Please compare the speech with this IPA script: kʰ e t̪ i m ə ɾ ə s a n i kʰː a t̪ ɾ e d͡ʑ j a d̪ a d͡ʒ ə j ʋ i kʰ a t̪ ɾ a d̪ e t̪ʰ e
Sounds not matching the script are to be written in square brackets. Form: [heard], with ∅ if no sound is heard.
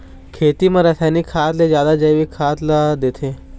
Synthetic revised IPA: kʰ e t̪ i m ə ɾ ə s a n i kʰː a t̪ [l] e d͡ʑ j a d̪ a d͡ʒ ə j ʋ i kʰ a t̪ [l] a d̪ e t̪ʰ e